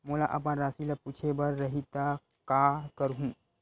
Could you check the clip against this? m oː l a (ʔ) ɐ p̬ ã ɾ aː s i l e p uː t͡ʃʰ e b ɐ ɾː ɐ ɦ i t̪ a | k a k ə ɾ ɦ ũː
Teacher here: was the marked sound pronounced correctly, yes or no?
yes